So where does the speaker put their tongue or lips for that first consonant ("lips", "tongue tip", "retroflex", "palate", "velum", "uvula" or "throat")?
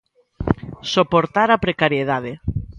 tongue tip